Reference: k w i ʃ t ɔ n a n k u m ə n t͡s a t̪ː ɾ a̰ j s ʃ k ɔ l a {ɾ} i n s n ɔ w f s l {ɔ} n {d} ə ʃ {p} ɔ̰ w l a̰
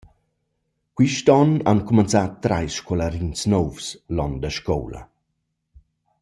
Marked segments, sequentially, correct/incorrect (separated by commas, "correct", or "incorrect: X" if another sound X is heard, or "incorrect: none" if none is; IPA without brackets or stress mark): correct, correct, correct, incorrect: k